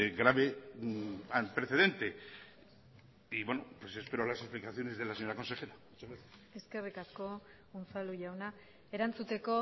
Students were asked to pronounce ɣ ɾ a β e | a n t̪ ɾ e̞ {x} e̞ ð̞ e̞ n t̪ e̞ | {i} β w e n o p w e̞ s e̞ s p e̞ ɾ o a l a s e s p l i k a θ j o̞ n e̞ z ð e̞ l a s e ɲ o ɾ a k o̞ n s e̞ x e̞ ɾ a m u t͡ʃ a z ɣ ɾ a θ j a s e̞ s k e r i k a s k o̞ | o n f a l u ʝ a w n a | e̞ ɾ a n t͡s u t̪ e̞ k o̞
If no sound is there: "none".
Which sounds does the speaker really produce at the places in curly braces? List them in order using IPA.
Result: θ, i

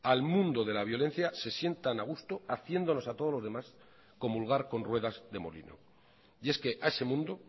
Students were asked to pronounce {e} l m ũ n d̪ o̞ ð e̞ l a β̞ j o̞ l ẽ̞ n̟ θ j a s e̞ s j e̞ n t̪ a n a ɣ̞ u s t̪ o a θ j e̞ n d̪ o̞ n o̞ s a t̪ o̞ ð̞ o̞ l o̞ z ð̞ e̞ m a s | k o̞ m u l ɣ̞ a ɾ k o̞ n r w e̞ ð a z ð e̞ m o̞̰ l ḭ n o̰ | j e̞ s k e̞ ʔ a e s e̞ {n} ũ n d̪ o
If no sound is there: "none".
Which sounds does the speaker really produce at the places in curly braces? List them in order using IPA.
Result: a, m

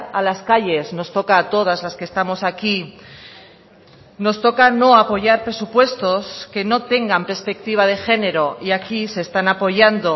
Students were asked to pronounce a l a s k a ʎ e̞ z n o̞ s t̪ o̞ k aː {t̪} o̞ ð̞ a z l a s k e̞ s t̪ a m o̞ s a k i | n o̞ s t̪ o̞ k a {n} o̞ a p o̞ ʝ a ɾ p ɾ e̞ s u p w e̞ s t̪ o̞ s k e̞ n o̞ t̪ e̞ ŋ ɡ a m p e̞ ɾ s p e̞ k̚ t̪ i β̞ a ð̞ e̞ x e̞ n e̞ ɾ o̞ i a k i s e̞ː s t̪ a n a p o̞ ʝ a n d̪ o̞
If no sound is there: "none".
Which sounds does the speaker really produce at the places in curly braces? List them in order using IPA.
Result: t̪, n

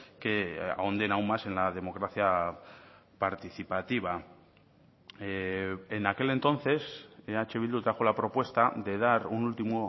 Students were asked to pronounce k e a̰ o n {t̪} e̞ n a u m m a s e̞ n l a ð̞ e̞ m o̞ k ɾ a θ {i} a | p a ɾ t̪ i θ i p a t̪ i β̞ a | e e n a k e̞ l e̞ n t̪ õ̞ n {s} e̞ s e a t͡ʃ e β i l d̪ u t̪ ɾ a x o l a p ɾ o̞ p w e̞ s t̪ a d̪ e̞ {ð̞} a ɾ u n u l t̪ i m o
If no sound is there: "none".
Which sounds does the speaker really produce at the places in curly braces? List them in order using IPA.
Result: d̪, j, θ, ð̞

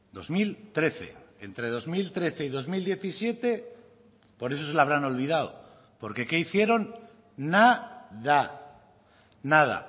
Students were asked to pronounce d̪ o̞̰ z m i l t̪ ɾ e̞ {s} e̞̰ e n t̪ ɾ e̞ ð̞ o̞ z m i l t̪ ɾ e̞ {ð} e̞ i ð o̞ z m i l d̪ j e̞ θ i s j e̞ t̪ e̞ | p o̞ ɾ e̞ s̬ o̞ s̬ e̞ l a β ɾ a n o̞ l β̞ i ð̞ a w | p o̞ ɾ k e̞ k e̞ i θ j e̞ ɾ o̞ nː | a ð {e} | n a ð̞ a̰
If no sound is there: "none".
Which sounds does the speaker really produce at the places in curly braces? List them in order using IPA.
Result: θ, θ, a

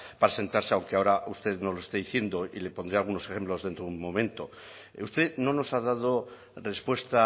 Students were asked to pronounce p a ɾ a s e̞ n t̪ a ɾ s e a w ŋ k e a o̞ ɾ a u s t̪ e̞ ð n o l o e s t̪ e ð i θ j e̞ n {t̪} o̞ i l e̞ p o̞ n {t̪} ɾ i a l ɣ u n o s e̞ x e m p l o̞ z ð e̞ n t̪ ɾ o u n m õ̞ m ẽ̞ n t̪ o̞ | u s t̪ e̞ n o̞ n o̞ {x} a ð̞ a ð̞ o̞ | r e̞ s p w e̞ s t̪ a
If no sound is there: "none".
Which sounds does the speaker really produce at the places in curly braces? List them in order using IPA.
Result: d̪, d̪, s

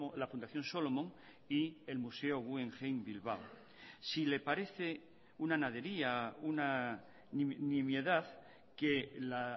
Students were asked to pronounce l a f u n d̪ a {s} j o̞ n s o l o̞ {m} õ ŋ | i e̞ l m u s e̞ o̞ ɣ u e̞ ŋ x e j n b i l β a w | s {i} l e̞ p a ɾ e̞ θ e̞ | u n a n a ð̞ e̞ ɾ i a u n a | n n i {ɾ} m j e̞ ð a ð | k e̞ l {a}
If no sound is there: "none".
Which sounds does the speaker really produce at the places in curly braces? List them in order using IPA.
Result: θ, m, i, none, a

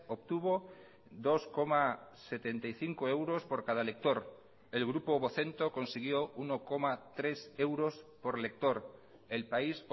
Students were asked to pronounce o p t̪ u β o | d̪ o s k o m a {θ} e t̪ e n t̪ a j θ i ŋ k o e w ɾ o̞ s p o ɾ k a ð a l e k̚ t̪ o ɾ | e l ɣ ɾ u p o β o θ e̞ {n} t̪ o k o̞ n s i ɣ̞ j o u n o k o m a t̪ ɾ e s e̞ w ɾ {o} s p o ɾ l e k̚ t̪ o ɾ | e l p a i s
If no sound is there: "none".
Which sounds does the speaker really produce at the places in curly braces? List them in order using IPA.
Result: s, n, o

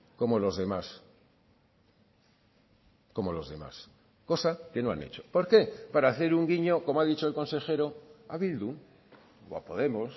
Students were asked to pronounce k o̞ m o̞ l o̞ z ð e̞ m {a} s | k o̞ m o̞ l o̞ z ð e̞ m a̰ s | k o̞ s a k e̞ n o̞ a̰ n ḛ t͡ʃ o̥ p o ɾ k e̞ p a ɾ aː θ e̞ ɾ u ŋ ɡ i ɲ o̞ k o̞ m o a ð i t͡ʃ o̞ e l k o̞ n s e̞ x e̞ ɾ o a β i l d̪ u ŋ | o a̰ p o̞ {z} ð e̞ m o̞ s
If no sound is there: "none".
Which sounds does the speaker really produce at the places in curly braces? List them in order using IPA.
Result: a, none

